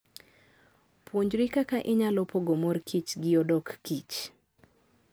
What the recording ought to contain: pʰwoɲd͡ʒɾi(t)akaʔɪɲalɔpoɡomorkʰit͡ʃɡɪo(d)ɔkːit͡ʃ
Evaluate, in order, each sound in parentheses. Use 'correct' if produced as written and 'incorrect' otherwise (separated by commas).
incorrect, correct